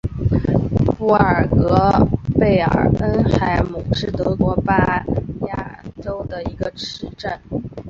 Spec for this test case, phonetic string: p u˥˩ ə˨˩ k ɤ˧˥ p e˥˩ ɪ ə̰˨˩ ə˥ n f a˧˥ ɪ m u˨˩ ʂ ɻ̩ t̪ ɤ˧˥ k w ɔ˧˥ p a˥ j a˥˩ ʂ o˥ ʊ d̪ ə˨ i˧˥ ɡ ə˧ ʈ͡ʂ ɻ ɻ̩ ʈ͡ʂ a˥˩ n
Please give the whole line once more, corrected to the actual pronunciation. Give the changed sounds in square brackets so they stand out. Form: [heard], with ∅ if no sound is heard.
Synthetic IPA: p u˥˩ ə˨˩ k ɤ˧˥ p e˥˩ ɪ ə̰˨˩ ə˥ n [x] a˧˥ ɪ m u˨˩ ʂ ɻ̩ t̪ ɤ˧˥ k w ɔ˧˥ p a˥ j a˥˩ [ʈ͡ʂ] o˥ ʊ d̪ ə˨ i˧˥ ɡ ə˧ ʈ͡ʂ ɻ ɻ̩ ʈ͡ʂ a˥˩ n